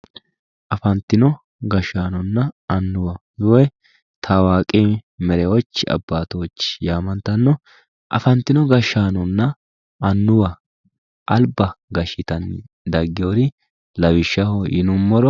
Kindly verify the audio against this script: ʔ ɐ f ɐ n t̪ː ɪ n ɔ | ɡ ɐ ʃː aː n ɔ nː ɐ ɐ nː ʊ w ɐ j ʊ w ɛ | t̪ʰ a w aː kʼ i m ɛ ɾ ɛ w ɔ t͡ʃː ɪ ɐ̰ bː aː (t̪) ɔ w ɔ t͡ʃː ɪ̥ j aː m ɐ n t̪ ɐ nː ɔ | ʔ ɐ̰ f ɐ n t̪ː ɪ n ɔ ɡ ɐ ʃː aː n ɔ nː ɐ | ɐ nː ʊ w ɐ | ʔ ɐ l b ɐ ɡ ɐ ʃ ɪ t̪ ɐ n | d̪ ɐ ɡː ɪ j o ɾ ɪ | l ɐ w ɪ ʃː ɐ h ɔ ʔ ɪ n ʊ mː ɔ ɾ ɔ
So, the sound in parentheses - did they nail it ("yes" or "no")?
yes